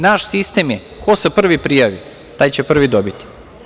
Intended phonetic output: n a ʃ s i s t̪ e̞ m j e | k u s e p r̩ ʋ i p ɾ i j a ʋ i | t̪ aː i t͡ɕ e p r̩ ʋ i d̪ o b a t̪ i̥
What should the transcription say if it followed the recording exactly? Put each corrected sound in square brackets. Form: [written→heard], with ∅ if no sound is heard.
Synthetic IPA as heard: n a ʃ s i s t̪ e̞ m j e | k [u→o] s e p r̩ ʋ i p ɾ i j a ʋ i | t̪ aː [i→j] t͡ɕ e p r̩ ʋ i d̪ o b [a→i] t̪ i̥